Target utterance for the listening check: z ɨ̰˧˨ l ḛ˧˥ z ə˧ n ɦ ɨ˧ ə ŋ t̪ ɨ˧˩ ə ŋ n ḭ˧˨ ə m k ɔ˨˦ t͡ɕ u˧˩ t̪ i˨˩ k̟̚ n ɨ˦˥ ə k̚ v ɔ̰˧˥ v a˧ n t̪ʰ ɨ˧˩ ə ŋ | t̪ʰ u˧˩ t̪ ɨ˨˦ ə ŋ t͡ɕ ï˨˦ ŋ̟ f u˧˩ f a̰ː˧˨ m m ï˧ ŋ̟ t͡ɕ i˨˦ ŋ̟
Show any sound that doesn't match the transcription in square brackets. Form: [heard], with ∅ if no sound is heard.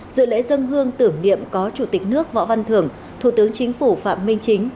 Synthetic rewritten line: z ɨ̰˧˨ l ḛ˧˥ z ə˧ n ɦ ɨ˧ ə ŋ t̪ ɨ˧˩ ə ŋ n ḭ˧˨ ə m k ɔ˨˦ t͡ɕ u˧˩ t̪ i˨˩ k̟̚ n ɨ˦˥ ə k̚ v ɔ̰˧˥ v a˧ n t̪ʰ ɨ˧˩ ə ŋ | t̪ʰ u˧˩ t̪ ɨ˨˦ ə ŋ t͡ɕ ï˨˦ ŋ̟ f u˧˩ f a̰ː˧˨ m m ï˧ ŋ̟ t͡ɕ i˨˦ ŋ̟